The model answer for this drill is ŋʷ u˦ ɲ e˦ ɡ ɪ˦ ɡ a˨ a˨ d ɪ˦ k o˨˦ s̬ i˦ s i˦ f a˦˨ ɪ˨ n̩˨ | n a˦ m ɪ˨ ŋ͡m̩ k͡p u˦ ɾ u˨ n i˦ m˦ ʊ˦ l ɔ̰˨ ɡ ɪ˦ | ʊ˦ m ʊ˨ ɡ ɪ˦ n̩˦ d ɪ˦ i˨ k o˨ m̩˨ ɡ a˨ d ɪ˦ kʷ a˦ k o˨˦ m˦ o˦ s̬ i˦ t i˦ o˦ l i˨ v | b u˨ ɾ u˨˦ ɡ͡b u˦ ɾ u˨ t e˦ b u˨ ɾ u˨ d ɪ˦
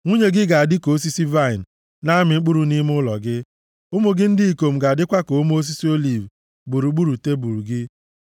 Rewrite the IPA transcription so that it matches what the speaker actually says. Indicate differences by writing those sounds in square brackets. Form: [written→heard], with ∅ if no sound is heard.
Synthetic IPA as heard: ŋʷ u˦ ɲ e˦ ɡ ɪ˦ ɡ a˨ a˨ d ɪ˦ k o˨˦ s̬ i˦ s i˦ [f→v] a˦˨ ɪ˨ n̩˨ | n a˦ m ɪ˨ ŋ͡m̩ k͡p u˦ ɾ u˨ n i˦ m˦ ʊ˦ l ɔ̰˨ ɡ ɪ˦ | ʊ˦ m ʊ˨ ɡ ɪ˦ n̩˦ d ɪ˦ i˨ k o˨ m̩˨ ɡ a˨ d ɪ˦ kʷ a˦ k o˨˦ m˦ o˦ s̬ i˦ [t→s] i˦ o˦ l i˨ v | b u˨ ɾ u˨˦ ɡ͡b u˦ ɾ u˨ t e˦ b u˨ ɾ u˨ [d→ɡ] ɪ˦